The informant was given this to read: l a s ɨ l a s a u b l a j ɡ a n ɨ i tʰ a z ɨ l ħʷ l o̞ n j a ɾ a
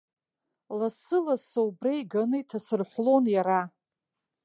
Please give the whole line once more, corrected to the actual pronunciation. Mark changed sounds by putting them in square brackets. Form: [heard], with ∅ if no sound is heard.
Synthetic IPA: l a s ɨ l a s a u b [r] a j ɡ a n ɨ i tʰ a [s] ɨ [r] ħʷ l o̞ n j a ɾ a